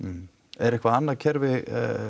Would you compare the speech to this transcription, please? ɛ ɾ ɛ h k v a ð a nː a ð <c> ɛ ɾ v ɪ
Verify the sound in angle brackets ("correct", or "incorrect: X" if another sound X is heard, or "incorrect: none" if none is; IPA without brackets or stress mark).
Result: incorrect: cʰ